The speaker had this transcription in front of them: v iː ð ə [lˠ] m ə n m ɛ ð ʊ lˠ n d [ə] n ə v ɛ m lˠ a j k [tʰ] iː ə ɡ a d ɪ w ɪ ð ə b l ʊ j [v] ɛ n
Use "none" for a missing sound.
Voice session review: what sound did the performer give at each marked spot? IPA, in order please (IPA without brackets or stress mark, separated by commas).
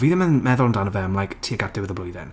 none, a, tʰ, ð